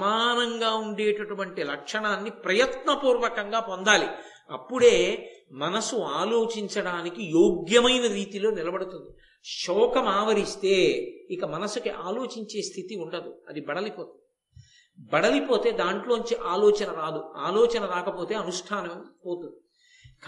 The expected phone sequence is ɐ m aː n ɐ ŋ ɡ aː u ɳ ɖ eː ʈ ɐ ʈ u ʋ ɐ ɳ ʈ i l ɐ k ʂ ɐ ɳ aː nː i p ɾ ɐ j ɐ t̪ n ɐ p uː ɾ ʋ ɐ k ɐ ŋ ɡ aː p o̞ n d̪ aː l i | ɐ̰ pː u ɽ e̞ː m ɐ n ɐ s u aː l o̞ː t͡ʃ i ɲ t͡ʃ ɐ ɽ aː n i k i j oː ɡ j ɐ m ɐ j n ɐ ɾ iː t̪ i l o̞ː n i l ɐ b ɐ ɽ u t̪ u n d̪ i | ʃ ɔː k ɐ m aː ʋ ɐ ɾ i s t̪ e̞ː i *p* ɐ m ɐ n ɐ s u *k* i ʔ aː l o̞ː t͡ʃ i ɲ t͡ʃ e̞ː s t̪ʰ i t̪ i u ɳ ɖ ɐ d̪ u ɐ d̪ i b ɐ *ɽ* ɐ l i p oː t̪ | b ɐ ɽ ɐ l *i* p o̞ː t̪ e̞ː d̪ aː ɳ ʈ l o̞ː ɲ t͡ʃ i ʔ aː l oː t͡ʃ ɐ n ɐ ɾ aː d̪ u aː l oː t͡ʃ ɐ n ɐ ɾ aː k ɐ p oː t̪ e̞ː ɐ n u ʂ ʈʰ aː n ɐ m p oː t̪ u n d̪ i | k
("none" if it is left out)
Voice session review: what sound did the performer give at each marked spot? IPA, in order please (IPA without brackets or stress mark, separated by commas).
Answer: k, k, ɽ, i